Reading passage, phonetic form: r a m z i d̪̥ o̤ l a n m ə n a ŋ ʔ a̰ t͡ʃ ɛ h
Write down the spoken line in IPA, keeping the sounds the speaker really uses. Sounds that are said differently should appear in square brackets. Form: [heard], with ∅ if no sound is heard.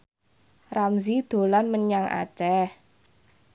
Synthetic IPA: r a m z i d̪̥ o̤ l a n m ə [ɲ] a ŋ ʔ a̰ t͡ʃ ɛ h